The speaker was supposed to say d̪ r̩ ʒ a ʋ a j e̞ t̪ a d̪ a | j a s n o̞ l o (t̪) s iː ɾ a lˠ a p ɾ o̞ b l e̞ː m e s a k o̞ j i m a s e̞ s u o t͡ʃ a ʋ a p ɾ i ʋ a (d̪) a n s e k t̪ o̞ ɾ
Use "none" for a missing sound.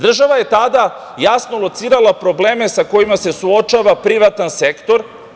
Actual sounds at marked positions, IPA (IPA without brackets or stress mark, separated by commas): t̪, t̪